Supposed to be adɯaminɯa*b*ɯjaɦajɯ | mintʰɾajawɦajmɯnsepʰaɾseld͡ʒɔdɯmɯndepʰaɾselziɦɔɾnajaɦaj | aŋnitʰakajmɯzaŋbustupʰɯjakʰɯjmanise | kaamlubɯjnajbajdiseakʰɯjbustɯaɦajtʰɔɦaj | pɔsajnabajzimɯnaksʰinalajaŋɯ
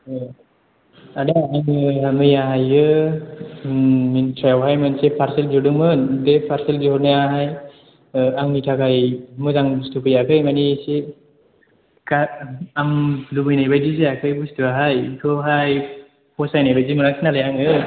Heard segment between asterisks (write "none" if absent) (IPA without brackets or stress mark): m